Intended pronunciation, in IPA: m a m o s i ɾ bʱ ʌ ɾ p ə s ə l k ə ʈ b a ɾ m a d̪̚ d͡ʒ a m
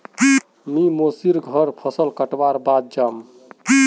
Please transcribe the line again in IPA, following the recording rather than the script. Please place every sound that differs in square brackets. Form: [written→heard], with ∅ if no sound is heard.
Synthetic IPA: m [a→i] m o s i ɾ [bʱ→ɡʱ] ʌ ɾ [p→pʰ] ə s ə l k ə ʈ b a ɾ [m→b] a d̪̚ d͡ʒ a m